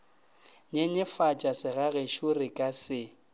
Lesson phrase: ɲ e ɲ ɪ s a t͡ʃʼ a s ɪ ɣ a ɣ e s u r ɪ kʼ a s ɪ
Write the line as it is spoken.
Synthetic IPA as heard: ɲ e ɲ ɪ f a t͡ʃʼ a s ɪ ɣ a ɣ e ʃ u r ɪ kʼ a s ɪ